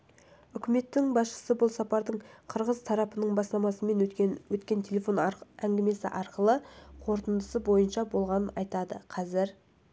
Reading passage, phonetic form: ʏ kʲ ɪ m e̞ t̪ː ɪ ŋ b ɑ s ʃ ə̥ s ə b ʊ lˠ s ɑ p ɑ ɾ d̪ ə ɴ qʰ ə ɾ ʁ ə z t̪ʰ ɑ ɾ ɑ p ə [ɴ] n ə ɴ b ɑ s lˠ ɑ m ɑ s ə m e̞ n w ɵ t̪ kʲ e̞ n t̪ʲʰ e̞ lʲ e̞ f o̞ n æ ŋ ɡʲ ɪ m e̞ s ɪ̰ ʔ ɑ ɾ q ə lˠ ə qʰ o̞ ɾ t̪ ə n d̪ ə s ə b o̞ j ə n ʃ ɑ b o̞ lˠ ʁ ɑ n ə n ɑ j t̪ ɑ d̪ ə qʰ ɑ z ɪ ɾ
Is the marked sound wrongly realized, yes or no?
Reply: yes